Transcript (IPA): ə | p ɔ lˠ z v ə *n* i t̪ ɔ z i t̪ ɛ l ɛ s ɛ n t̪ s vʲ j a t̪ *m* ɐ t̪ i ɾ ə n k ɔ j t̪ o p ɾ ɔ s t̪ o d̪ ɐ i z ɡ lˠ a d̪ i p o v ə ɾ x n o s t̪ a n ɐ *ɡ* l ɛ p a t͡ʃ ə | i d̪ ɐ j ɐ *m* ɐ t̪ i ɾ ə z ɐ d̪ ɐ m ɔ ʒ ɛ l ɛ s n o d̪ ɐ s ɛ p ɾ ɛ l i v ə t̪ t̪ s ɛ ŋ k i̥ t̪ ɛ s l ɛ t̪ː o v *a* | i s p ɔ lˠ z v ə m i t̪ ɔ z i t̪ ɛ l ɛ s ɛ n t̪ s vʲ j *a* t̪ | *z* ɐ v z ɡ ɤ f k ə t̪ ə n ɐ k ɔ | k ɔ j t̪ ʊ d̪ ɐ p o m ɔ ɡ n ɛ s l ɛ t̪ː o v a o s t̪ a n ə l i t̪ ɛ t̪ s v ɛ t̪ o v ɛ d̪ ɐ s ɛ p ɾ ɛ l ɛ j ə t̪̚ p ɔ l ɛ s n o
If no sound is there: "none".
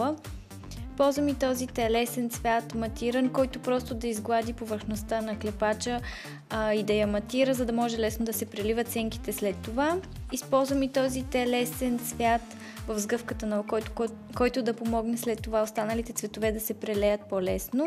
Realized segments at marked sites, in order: m, m, k, m, a, a, v

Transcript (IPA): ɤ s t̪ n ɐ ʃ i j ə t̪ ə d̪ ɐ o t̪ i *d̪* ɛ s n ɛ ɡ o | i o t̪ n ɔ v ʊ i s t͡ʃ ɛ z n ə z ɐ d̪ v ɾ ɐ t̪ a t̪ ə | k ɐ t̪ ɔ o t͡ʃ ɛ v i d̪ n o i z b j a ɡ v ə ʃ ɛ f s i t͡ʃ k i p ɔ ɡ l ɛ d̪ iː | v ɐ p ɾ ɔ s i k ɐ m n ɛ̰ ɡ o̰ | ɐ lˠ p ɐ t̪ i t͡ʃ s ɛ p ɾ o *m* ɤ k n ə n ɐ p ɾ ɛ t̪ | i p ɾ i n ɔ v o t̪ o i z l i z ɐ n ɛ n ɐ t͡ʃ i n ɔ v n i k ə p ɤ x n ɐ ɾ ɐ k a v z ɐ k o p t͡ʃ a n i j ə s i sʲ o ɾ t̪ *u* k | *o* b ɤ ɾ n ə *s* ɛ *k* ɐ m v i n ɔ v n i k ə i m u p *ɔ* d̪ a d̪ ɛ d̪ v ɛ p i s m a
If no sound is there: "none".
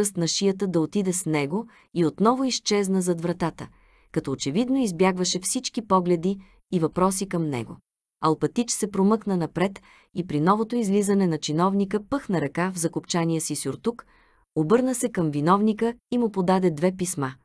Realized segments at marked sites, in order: d̪, m, u, o, s, k, o

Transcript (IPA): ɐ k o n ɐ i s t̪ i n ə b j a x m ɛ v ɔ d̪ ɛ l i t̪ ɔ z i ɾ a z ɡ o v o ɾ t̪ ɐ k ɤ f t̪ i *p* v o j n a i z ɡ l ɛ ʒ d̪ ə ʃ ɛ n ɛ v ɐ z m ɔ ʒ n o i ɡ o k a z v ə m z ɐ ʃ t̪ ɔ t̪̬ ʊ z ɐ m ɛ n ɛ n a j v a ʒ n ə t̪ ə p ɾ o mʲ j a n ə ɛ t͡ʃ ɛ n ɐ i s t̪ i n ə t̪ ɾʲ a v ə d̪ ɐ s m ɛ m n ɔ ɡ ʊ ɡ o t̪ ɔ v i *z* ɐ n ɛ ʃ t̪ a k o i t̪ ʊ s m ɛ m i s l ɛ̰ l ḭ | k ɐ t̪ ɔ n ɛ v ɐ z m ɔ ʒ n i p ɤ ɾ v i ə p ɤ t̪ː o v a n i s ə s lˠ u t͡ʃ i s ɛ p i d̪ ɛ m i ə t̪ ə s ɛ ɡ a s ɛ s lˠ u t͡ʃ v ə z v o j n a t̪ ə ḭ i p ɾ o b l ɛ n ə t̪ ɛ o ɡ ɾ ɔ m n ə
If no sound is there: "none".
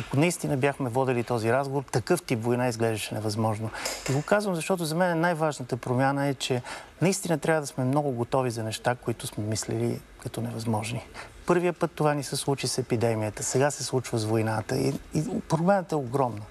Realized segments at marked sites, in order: p, z

